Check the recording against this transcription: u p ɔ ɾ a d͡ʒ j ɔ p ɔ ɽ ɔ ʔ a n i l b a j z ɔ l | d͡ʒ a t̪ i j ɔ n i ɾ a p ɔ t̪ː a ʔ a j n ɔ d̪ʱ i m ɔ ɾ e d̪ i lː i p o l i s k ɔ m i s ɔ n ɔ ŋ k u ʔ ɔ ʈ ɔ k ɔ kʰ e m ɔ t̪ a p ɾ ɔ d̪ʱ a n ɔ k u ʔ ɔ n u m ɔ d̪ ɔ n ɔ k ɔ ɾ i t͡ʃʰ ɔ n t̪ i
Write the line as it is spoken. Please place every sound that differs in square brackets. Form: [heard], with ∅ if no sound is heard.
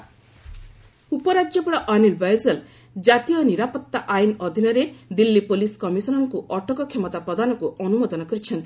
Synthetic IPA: u p ɔ ɾ a d͡ʒ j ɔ p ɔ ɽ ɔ ʔ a n i l b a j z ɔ l | d͡ʒ a t̪ i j ɔ n i ɾ a p ɔ t̪ː a ʔ a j n ɔ d̪ʱ i [n] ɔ ɾ e d̪ i lː i p o l i s k ɔ m i s ɔ n ɔ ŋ k u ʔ ɔ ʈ ɔ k ɔ kʰ e m ɔ t̪ a p ɾ ɔ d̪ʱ a n ɔ k u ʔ ɔ n u m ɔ d̪ ɔ n ɔ k ɔ ɾ i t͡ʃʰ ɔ n t̪ i